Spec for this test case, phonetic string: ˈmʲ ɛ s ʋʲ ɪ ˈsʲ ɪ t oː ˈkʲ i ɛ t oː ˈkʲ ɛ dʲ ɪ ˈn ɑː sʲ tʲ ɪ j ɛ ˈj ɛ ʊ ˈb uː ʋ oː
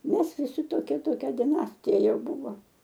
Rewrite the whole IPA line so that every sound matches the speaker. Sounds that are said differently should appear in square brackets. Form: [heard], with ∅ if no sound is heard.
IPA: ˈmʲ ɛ s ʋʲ ɪ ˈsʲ ɪ t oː ˈkʲ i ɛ t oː ˈkʲ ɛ dʲ ɪ ˈn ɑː sʲ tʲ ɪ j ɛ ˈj ɛ ʊ ˈb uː ʋ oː